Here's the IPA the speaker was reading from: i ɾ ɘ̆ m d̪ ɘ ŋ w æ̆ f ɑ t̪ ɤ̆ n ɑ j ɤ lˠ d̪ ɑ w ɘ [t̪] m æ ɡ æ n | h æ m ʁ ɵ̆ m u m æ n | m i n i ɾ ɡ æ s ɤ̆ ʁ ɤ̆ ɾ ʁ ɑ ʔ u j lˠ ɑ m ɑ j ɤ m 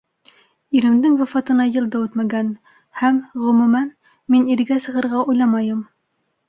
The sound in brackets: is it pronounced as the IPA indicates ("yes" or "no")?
yes